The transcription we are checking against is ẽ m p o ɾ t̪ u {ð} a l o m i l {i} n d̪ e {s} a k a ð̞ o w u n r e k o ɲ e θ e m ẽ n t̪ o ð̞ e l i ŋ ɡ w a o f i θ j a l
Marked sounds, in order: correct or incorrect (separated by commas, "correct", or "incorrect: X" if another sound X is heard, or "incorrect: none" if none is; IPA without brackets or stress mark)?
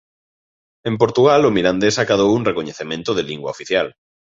incorrect: ɣ, incorrect: a, correct